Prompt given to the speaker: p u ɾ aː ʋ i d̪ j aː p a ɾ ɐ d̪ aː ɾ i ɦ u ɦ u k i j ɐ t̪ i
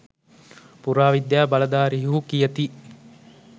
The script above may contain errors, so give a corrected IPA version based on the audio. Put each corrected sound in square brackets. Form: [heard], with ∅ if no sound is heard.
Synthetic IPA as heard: p u ɾ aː ʋ i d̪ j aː [b] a [l] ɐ d̪ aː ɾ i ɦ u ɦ u k i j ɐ t̪ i